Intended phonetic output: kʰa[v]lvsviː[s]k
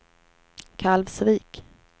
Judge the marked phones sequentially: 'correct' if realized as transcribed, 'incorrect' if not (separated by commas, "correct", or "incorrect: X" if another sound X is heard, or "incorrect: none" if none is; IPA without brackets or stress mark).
incorrect: none, incorrect: none